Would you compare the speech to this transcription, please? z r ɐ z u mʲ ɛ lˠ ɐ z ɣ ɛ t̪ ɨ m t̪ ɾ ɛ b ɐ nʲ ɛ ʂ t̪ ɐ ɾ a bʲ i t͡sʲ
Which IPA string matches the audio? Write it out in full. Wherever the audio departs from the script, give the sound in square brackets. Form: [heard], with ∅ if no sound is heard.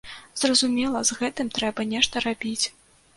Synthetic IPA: z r ɐ z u mʲ ɛ lˠ ɐ z ɣ ɛ t̪ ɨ m t̪ ɾ ɛ b ɐ nʲ ɛ ʂ t̪ ɐ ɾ a bʲ i t͡sʲ

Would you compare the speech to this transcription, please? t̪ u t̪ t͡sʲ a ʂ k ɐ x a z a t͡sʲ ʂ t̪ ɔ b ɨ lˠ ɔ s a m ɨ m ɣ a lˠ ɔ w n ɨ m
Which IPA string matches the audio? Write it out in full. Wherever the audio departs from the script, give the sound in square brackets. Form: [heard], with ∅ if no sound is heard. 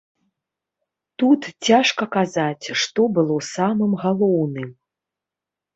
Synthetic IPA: t̪ u t̪ t͡sʲ a ʂ k ɐ [k] a z a t͡sʲ ʂ t̪ ɔ b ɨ lˠ ɔ s a m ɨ m ɣ a lˠ ɔ w n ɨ m

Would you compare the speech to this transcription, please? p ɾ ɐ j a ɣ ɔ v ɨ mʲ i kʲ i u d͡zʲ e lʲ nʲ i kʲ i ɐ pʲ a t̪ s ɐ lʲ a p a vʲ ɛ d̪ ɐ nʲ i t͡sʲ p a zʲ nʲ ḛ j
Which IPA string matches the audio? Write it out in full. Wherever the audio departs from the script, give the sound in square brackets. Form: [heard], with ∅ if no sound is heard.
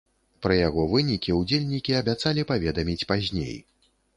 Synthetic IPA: p ɾ ɐ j a ɣ ɔ v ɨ [nʲ] i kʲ i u d͡zʲ e lʲ nʲ i kʲ i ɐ [bʲ] a t̪ s [a] lʲ [i] p a vʲ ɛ d̪ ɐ [mʲ] i t͡sʲ p a zʲ nʲ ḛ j

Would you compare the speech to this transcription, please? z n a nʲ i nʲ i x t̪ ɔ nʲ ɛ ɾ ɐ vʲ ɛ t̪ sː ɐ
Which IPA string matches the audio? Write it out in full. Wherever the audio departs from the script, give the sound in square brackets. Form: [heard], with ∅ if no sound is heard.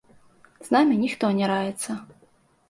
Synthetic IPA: z n a [mʲ] i nʲ i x t̪ ɔ nʲ ɛ ɾ [a] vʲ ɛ t̪ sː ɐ

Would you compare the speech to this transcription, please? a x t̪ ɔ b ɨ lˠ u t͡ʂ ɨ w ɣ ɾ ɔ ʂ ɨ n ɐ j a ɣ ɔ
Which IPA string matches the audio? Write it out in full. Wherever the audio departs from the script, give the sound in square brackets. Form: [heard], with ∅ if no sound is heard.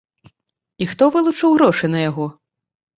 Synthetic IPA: [i] x t̪ ɔ [v] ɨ lˠ u t͡ʂ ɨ w ɣ ɾ ɔ ʂ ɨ n ɐ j a ɣ ɔ

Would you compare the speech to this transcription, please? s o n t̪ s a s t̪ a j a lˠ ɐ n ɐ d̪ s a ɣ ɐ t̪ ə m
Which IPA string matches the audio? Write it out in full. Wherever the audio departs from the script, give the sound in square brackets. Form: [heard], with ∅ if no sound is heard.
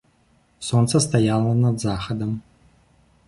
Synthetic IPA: s o n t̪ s [ɐ] s t̪ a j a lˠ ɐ n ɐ d̪ [z] a [x] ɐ [d̪] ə m

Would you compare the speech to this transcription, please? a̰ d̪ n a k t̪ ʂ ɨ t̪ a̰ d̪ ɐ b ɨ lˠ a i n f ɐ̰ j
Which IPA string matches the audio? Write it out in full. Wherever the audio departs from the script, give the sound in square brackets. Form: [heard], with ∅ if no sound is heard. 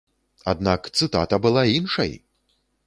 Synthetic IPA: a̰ d̪ n a k t̪ [s] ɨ t̪ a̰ [t̪] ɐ b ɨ lˠ a i n [ʂ] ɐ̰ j

